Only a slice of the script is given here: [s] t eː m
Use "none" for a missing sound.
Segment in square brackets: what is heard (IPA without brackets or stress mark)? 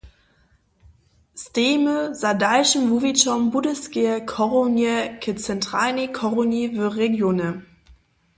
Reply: s